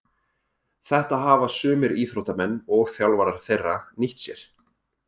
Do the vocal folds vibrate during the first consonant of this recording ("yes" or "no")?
no